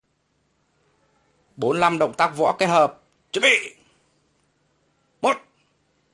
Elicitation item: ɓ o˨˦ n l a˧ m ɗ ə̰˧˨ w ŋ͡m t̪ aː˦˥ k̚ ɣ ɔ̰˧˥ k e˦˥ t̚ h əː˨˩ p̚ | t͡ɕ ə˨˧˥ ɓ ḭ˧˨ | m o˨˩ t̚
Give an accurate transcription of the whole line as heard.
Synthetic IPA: ɓ o˨˦ n l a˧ m ɗ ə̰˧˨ w ŋ͡m t̪ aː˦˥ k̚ v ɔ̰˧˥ k e˦˥ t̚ h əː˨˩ p̚ | t͡ɕ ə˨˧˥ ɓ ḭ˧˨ | m o˨˩ t̚

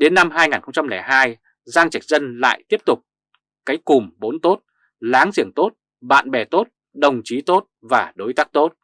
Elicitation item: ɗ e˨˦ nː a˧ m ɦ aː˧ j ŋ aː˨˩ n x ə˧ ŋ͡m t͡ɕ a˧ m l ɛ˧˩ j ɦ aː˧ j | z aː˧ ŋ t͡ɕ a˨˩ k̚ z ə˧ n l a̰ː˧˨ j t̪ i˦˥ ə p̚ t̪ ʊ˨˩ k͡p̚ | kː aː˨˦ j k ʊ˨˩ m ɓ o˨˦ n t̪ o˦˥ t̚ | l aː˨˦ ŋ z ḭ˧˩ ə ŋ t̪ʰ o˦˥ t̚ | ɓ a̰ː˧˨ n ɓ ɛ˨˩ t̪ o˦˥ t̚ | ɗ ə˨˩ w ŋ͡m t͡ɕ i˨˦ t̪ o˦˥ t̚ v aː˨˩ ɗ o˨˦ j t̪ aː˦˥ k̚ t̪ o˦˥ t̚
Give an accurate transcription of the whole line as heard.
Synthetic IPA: ɗ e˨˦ nː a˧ m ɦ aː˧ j ŋ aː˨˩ n x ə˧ ŋ͡m t͡ɕ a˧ m l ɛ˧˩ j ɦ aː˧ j | z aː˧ ŋ t͡ɕ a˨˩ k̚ z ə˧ n l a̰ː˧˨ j t̪ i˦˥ ə p̚ t̪ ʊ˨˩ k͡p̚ | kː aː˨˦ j k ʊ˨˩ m ɓ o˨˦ n t̪ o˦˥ t̚ | l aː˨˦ ŋ z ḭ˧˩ ə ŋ t̪ o˦˥ t̚ | ɓ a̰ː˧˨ n ɓ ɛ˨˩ t̪ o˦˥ t̚ | ɗ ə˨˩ w ŋ͡m t͡ɕ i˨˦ t̪ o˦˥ t̚ v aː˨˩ ɗ o˨˦ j t̪ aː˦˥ k̚ t̪ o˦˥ t̚

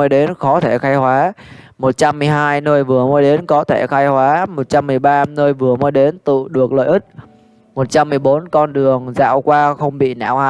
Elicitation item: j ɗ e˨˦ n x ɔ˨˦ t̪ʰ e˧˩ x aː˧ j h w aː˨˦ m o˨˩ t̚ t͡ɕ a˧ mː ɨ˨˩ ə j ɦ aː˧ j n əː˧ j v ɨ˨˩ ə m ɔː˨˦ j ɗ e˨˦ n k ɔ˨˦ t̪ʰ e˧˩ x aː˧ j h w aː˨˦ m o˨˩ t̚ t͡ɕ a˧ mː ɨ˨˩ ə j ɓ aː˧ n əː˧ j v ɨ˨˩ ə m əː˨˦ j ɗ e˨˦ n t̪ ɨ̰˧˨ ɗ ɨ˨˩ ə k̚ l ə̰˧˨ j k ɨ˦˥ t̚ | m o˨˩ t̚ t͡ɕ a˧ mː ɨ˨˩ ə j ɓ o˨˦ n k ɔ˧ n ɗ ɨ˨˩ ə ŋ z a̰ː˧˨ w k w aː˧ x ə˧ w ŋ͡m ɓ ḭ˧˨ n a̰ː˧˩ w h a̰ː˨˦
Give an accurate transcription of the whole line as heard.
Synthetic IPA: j ɗ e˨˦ n x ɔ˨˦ t̪ʰ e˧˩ x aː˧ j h w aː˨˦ m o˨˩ t̚ t͡ɕ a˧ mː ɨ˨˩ ə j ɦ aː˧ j n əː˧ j v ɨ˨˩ ə m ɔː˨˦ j ɗ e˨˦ n k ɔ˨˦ t̪ʰ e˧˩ x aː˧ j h w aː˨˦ m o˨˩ t̚ t͡ɕ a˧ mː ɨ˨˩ ə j ɓ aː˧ n əː˧ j v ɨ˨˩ ə m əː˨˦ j ɗ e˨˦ n t̪ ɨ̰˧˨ ɗ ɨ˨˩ ə k̚ l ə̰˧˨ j ʔ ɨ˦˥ t̚ | m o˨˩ t̚ t͡ɕ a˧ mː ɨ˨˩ ə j ɓ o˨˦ n k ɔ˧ n ɗ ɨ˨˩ ə ŋ z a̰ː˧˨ w k w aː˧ x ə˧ w ŋ͡m ɓ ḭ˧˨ n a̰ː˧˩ w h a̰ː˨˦

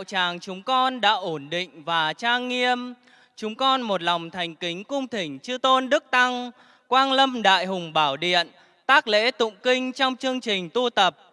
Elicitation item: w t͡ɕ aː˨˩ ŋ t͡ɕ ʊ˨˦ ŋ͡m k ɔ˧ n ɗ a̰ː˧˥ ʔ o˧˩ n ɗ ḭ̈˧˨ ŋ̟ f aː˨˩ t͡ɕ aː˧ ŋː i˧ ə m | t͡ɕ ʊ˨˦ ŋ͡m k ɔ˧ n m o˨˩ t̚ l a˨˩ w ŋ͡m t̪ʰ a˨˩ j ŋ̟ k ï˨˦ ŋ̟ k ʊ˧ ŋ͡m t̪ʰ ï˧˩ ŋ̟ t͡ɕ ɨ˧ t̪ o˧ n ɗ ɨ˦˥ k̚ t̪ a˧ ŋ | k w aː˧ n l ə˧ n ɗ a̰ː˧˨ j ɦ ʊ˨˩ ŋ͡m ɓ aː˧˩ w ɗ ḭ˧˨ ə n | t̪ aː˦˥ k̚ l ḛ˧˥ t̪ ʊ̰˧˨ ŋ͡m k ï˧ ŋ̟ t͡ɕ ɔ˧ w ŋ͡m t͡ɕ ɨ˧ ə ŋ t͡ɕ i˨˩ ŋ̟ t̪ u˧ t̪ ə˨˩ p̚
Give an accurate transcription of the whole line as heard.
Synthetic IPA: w t͡ɕ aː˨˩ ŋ t͡ɕ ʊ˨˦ ŋ͡m k ɔ˧ n ɗ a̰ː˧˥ ʔ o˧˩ n ɗ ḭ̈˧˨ ŋ̟ v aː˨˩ t͡ɕ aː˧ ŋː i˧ ə m | t͡ɕ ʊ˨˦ ŋ͡m k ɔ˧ n m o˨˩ t̚ l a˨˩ w ŋ͡m t̪ʰ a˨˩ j ŋ̟ k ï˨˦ ŋ̟ k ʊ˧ ŋ͡m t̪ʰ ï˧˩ ŋ̟ t͡ɕ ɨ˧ t̪ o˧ n ɗ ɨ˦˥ k̚ t̪ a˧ ŋ | k w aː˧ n l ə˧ m ɗ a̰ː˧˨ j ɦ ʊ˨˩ ŋ͡m ɓ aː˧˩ w ɗ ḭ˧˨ ə n | t̪ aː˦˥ k̚ l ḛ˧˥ t̪ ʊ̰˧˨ ŋ͡m k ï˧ ŋ̟ t͡ɕ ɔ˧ w ŋ͡m t͡ɕ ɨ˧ ə ŋ t͡ɕ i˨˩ ŋ̟ t̪ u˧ t̪ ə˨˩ p̚

